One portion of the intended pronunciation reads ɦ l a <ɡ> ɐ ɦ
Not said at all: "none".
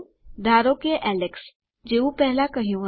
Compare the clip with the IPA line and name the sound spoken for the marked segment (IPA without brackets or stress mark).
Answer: k